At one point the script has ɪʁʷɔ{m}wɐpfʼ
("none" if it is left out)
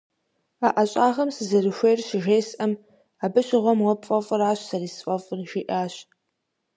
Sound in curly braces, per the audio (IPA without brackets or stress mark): m